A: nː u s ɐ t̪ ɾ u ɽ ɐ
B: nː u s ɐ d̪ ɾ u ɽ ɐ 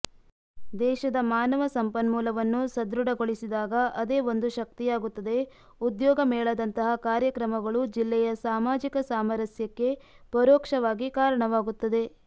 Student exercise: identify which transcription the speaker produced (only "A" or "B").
B